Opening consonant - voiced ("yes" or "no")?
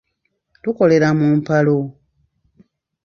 no